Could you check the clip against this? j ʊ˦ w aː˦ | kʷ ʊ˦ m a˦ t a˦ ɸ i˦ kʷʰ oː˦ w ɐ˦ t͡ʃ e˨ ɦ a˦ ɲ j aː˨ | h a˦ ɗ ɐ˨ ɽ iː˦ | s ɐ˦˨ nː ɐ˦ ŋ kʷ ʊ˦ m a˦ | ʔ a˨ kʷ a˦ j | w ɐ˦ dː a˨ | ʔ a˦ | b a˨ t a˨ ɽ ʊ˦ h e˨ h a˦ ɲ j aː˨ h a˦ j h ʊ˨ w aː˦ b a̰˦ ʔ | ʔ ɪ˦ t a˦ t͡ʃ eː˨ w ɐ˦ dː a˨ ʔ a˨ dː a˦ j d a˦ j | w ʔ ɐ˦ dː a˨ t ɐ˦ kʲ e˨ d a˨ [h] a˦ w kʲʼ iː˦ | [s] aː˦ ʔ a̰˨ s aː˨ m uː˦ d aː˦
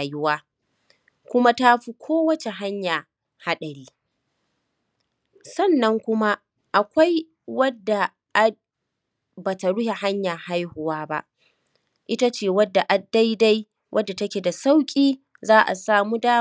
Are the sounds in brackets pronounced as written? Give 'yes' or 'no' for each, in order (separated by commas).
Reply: no, no